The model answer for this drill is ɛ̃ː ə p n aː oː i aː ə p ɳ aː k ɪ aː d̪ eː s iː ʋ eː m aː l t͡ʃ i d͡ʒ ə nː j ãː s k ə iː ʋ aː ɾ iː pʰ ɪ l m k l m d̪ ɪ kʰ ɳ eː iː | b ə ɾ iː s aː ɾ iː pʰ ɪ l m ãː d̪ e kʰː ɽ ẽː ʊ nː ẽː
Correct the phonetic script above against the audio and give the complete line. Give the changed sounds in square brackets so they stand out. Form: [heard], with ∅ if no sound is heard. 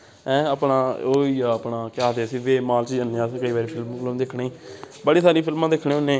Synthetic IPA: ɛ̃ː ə p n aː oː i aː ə p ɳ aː k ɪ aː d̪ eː s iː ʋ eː m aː l t͡ʃ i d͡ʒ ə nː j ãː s k ə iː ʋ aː ɾ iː pʰ ɪ l m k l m d̪ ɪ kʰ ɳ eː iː | b ə [ɽ] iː s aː ɾ iː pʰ ɪ l m ãː d̪ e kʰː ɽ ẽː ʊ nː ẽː